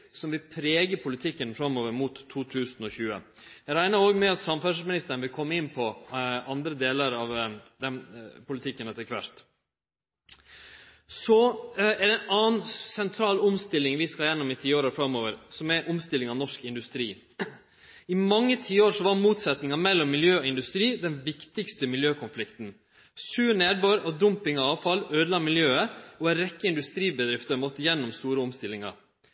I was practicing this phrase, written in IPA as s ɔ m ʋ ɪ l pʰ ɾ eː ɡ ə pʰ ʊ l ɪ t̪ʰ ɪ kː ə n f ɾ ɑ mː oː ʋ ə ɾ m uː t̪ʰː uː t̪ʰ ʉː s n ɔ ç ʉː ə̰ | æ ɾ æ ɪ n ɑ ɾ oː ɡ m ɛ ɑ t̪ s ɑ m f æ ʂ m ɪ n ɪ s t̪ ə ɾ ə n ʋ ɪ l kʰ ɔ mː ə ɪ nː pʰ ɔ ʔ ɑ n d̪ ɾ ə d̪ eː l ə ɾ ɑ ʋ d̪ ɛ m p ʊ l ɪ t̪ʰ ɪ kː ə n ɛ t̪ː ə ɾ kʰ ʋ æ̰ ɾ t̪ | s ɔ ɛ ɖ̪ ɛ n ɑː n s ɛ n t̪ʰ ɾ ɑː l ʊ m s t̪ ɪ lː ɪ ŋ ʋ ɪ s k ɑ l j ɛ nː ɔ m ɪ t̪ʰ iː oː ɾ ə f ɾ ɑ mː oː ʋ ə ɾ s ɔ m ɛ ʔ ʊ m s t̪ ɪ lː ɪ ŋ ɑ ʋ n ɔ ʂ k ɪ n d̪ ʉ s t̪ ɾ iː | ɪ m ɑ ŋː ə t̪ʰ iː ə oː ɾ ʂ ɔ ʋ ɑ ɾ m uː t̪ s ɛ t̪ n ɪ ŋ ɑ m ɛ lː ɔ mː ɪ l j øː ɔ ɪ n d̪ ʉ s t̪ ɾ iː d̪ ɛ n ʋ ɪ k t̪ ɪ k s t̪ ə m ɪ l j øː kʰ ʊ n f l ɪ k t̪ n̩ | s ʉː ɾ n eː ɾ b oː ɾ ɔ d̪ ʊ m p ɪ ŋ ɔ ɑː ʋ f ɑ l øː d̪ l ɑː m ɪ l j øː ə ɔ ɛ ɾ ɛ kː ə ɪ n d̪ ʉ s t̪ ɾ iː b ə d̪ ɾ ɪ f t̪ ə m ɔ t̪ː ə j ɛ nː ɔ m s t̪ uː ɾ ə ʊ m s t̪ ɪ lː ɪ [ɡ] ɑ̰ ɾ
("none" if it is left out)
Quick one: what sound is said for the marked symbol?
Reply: ŋ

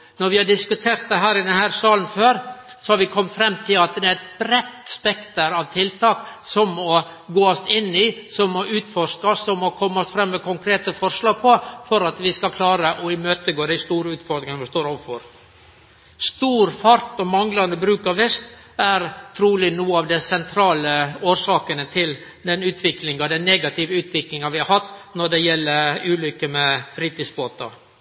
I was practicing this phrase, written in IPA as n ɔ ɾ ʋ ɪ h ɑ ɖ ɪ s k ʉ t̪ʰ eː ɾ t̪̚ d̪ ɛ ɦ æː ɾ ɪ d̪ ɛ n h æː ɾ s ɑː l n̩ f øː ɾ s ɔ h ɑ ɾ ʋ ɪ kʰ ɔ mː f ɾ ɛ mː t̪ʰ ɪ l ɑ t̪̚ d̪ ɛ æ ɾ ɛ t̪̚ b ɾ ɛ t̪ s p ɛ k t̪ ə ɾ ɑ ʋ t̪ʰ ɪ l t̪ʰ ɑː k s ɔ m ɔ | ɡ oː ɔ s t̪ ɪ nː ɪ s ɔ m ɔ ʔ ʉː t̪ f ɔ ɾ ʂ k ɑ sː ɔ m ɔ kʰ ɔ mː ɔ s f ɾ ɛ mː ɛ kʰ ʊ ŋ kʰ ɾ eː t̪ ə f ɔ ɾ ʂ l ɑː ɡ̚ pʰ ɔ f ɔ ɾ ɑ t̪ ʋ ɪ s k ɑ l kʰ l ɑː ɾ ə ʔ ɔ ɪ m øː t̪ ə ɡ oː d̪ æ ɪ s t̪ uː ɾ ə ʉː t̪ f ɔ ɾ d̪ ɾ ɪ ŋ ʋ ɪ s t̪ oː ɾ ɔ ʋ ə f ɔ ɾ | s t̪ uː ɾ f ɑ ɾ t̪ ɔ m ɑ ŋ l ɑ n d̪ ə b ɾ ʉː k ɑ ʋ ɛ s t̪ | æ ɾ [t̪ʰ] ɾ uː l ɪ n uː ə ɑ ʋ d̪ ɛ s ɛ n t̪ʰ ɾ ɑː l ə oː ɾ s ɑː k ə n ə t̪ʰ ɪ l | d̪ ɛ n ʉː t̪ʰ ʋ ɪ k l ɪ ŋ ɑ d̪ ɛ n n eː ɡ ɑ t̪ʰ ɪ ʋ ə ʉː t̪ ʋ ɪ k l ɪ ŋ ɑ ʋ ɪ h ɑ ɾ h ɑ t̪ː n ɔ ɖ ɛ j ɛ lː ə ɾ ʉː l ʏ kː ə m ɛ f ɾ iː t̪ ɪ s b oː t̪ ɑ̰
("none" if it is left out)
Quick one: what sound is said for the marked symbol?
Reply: t̪ʰ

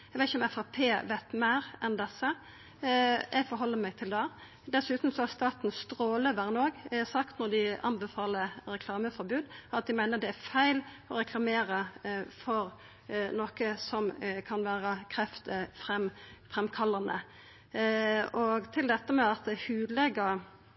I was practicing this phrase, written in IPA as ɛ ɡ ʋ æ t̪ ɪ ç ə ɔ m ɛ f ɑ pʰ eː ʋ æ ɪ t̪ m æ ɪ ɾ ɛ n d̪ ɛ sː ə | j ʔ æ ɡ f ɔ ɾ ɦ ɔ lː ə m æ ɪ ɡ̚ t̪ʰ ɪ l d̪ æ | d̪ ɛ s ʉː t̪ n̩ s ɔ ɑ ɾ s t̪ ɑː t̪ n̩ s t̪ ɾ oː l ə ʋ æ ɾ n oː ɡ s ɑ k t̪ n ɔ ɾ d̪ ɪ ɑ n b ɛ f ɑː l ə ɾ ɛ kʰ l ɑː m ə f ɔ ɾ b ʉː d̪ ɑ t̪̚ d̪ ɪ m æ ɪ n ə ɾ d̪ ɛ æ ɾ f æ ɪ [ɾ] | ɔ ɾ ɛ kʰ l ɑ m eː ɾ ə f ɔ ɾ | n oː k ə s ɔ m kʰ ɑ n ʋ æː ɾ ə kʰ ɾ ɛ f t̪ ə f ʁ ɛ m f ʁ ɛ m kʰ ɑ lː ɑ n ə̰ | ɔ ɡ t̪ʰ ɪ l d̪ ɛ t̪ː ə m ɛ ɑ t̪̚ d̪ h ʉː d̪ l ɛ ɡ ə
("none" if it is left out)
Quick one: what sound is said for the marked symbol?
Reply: l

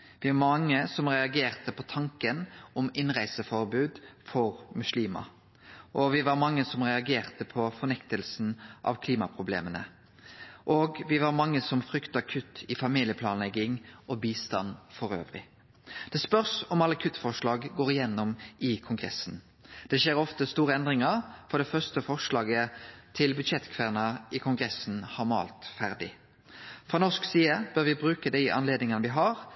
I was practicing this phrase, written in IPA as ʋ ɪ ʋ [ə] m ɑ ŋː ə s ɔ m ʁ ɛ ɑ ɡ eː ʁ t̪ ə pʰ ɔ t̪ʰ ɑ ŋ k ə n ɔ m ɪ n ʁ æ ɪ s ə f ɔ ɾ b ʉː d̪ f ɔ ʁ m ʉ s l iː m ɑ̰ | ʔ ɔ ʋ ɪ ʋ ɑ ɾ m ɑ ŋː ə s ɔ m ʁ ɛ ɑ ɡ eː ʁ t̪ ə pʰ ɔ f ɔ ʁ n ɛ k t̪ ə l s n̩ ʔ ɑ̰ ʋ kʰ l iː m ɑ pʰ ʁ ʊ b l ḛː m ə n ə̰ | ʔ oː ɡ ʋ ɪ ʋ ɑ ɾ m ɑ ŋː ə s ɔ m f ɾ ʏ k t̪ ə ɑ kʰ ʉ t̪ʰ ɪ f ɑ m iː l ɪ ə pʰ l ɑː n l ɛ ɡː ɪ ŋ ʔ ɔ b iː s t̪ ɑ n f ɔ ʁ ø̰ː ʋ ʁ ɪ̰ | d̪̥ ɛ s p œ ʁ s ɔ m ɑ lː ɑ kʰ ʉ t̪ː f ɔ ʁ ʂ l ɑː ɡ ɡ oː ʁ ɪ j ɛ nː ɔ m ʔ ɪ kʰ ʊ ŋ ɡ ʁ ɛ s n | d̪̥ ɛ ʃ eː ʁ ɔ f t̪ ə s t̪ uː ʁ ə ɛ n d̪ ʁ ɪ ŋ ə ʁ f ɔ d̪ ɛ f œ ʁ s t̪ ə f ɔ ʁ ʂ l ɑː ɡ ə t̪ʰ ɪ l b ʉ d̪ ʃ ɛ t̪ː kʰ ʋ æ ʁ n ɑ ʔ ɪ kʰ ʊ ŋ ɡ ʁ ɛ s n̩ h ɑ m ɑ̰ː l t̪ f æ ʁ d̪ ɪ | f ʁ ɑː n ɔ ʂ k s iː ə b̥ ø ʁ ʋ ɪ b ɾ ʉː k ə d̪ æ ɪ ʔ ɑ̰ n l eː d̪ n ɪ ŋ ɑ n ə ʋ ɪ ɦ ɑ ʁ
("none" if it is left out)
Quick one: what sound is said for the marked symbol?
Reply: ɑ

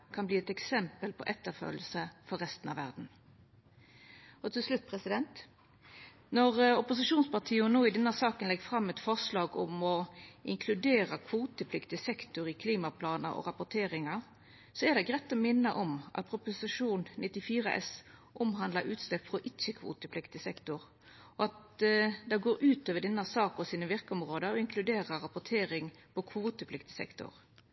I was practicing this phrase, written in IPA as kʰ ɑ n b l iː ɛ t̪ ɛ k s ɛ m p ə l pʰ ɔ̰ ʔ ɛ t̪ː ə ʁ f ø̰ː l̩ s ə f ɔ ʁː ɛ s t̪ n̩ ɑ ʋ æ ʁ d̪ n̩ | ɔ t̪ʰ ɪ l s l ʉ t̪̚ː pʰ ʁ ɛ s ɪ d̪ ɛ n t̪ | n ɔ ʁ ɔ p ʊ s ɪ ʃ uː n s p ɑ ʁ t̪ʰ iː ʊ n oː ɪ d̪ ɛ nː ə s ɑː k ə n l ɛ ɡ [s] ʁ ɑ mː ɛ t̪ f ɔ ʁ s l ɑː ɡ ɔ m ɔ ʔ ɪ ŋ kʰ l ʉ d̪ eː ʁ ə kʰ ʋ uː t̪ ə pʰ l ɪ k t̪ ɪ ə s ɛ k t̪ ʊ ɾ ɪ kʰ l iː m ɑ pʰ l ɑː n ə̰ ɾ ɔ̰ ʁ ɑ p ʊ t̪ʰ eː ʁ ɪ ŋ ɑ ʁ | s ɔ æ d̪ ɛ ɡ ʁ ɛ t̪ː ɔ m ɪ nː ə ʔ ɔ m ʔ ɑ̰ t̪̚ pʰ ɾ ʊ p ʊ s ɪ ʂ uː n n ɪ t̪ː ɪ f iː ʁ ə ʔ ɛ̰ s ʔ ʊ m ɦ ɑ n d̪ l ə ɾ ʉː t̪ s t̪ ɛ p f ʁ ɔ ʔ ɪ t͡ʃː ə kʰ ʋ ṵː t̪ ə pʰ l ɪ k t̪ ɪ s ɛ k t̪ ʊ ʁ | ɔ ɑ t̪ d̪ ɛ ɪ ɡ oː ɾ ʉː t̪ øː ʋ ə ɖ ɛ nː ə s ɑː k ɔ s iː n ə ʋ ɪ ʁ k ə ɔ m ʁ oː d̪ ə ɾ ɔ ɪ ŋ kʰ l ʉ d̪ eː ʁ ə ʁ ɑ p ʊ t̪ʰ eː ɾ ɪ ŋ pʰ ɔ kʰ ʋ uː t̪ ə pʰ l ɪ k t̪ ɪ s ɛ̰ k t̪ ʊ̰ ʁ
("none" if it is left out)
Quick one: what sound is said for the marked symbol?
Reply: f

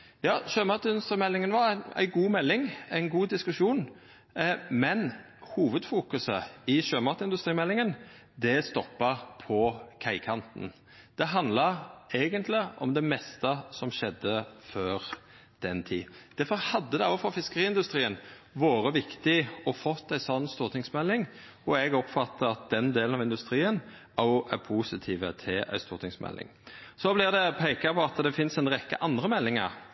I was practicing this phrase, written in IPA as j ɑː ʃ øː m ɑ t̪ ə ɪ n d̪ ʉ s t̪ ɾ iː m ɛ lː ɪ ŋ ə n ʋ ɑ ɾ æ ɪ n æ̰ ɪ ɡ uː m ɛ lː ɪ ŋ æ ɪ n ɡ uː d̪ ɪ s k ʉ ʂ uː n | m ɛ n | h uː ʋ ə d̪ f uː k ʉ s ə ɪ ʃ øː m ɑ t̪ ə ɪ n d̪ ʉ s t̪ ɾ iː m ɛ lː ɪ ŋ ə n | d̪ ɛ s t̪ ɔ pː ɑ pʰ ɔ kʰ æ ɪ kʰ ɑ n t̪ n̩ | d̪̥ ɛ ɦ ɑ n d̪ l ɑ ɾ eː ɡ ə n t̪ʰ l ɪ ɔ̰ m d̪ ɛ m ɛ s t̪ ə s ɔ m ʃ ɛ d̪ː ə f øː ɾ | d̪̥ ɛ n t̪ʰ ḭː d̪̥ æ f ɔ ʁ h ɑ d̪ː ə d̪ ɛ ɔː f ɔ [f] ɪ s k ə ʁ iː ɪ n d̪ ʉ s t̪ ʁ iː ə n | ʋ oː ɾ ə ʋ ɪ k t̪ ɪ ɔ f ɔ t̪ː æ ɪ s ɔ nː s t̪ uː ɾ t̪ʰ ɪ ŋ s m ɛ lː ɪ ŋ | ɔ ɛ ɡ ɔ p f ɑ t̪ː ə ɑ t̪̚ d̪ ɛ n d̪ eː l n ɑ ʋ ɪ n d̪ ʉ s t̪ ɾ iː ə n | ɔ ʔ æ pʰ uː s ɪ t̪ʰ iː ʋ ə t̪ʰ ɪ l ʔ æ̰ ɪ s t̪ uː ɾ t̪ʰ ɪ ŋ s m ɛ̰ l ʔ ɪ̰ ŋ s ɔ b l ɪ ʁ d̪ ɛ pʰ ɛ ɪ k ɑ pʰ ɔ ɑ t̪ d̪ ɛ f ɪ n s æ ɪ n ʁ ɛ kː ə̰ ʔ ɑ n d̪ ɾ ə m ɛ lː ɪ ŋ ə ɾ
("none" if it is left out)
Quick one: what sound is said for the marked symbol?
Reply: f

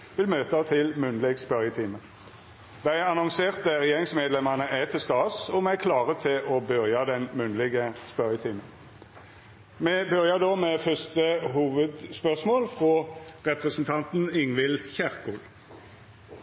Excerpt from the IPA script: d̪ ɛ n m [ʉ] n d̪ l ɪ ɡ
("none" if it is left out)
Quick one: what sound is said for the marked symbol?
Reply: ʉ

